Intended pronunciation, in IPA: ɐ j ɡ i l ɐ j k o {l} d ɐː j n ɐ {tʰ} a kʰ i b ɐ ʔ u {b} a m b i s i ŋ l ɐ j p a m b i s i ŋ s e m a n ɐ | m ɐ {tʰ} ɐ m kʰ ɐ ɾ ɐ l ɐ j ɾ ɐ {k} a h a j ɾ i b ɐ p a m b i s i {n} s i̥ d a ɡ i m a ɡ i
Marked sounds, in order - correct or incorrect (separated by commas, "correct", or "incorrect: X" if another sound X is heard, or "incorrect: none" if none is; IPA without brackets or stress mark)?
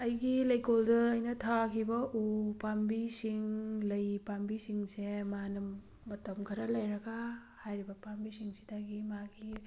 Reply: correct, correct, incorrect: p, incorrect: t, incorrect: ɡ, incorrect: ŋ